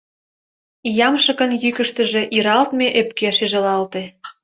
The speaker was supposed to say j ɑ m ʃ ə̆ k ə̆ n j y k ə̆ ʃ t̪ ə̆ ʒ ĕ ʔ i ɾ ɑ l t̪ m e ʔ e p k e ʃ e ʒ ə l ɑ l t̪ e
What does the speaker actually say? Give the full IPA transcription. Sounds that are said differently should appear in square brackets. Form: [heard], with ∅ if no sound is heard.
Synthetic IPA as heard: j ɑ m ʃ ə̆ k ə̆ n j y k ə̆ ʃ t̪ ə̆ ʒ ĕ ʔ i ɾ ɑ l t̪ m e ʔ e p k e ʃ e ʒ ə l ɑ l t̪ e